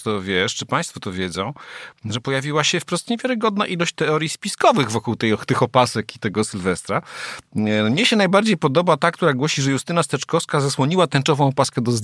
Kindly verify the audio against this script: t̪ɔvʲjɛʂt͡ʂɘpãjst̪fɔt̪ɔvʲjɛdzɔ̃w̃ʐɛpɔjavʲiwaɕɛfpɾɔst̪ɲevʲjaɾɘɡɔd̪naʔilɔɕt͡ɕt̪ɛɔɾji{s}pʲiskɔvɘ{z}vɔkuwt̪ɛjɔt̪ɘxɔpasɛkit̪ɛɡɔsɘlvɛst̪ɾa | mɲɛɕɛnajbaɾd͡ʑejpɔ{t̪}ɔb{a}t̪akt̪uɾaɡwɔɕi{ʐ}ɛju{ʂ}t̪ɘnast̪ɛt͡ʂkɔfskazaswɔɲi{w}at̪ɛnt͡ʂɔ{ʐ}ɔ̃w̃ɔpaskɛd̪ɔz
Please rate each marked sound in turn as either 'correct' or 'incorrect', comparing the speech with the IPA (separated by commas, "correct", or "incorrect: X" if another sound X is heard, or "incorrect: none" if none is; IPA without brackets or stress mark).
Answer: correct, incorrect: ɣ, incorrect: d̪, correct, correct, incorrect: s, correct, incorrect: v